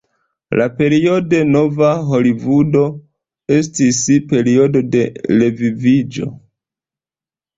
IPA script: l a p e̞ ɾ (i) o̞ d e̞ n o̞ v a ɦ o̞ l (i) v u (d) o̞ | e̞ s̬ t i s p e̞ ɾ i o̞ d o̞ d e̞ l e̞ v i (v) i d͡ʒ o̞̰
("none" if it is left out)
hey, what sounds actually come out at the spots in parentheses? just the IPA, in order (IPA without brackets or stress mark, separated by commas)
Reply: i, i, d, v